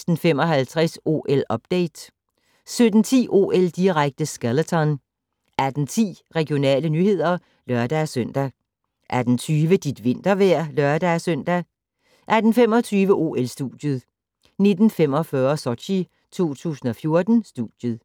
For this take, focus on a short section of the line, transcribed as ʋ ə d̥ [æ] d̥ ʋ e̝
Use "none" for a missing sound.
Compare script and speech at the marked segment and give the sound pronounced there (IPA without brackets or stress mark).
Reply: i